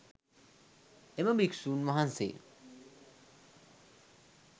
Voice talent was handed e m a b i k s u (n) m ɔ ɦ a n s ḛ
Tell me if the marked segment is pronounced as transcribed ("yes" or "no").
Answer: yes